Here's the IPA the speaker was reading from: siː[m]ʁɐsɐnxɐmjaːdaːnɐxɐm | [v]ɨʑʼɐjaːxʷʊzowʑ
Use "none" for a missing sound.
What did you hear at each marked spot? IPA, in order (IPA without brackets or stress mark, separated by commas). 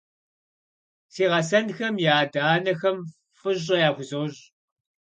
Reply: none, f